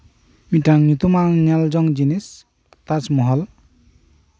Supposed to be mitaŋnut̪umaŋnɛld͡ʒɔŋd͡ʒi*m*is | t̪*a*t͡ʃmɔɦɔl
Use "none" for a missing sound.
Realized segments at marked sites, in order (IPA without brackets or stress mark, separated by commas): n, a